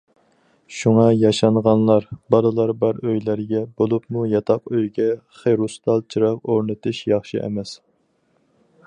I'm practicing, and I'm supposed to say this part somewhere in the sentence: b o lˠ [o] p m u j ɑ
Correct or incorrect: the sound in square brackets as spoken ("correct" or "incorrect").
incorrect